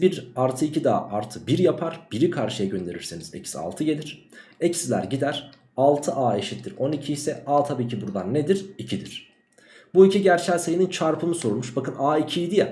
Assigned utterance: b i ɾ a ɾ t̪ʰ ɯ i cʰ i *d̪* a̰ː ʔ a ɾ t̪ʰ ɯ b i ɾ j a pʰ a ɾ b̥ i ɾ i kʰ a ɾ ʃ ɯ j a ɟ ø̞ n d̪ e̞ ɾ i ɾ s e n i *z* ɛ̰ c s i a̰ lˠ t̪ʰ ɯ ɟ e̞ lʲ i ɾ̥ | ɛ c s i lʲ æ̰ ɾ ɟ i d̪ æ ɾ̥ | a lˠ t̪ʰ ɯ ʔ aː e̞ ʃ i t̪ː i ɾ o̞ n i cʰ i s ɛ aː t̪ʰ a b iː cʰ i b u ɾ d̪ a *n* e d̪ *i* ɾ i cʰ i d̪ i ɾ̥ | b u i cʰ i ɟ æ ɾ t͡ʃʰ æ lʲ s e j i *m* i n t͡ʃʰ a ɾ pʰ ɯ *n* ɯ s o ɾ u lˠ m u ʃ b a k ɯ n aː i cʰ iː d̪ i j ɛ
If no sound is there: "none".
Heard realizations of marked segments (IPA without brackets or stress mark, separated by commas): d̪, z, nː, i, n, m